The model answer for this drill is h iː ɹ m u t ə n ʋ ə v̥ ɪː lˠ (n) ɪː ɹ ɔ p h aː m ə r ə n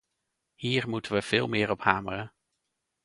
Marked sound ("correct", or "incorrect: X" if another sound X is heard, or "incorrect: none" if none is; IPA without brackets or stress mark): incorrect: m